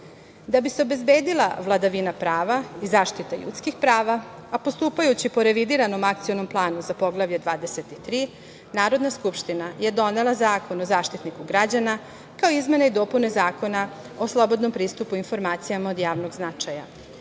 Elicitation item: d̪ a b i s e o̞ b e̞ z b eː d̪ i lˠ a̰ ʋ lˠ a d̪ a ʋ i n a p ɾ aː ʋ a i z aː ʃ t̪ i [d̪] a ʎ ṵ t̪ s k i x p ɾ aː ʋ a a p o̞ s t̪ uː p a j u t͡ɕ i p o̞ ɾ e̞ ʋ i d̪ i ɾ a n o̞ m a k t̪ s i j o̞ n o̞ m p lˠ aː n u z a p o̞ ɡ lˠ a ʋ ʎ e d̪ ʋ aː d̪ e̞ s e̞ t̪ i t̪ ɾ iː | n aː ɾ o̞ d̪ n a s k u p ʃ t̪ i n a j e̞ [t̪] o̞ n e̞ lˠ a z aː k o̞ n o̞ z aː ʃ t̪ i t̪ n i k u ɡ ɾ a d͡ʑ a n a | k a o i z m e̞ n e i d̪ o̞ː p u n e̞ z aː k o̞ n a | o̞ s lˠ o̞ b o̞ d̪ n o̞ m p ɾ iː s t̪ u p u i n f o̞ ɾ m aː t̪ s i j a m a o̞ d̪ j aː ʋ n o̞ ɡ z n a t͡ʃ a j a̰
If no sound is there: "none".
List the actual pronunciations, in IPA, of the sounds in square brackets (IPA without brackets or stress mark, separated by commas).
t̪, d̪